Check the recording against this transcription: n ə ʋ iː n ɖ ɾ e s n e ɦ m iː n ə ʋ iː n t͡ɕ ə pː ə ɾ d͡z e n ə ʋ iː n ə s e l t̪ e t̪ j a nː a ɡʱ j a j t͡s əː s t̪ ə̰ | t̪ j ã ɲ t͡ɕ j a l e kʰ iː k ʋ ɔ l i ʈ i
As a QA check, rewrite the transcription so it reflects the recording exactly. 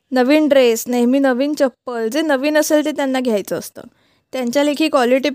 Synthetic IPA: n ə ʋ iː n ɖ ɾ e s n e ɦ m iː n ə ʋ iː n t͡ɕ ə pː ə l d͡z e n ə ʋ iː n ə s e l t̪ e t̪ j a nː a ɡʱ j a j t͡s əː s t̪ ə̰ | t̪ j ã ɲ t͡ɕ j a l e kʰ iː k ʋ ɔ l i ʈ i